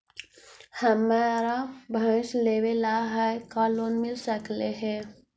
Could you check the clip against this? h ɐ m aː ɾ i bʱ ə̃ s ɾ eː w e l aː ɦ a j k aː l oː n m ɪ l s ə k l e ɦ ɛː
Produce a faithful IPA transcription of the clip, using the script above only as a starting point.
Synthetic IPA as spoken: h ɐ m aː ɾ a bʱ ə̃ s l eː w e l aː ɦ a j k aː l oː n m ɪ l s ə k l e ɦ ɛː